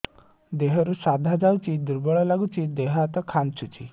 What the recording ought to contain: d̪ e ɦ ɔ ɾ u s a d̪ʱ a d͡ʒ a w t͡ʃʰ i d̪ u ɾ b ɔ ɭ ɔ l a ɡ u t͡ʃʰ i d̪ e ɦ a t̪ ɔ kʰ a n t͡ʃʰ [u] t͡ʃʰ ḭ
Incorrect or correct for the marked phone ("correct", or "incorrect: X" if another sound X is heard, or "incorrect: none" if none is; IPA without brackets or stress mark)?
correct